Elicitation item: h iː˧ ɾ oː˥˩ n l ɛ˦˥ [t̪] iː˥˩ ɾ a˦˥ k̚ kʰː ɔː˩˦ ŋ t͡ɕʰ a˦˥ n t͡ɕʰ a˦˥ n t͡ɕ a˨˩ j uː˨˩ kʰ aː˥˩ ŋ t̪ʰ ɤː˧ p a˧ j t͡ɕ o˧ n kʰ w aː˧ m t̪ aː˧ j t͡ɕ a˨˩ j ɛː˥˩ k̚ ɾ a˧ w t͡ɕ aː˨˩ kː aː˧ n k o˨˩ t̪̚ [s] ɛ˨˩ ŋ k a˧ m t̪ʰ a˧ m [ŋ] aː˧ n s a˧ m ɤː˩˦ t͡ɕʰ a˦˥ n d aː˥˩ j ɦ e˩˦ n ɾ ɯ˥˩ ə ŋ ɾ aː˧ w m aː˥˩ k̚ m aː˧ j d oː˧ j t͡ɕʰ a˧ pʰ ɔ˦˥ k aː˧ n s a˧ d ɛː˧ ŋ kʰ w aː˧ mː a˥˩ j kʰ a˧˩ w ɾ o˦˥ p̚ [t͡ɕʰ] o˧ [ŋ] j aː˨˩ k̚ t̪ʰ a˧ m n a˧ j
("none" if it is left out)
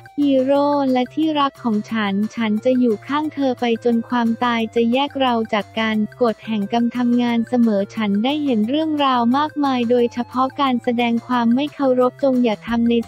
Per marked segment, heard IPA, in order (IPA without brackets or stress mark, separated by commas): t̪ʰ, h, ŋ, t͡ɕ, ŋ